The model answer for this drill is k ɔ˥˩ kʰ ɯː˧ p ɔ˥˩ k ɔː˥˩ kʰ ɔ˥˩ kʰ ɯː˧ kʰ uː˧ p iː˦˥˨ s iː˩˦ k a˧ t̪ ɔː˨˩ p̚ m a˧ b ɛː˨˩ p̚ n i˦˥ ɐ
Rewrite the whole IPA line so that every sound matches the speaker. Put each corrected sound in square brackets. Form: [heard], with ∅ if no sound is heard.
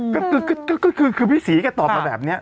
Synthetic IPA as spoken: k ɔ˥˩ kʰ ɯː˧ [k] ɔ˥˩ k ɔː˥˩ [k] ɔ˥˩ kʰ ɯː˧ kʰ [ɯː˧] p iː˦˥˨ s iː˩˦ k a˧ t̪ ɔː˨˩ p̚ m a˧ b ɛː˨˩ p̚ n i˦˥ ɐ